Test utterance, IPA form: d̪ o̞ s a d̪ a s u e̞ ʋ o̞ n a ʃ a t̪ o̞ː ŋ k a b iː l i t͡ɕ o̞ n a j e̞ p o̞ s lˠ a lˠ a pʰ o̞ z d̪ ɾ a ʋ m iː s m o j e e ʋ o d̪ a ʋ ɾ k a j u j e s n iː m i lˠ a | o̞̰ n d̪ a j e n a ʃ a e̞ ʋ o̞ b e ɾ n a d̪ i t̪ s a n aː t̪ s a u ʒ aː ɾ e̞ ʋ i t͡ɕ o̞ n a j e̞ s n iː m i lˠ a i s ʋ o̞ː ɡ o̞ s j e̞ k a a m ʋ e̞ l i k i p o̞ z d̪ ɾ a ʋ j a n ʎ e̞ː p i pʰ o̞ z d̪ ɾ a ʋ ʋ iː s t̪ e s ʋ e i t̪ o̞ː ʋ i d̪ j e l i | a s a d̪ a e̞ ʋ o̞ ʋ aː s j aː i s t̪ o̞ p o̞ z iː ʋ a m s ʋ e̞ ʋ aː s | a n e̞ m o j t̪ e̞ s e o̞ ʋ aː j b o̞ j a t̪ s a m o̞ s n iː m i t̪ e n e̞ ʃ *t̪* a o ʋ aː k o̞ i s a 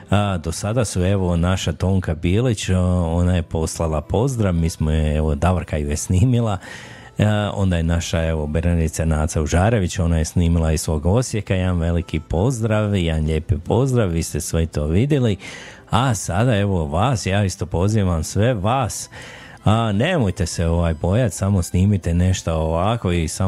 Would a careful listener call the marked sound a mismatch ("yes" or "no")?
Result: no